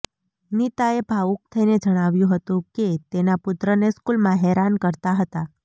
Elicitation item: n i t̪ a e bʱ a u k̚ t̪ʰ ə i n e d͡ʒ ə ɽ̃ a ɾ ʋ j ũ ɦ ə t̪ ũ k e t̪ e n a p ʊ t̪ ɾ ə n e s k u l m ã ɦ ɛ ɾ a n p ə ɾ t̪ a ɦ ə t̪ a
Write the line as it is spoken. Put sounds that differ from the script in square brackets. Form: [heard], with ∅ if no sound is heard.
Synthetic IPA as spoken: n i t̪ a e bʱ a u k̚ t̪ʰ ə i n e d͡ʒ ə ɽ̃ a [∅] ʋ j ũ ɦ ə t̪ ũ k e t̪ e n a p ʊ t̪ ɾ ə n e s k u l m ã ɦ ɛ ɾ a n [k] ə ɾ t̪ a ɦ ə t̪ a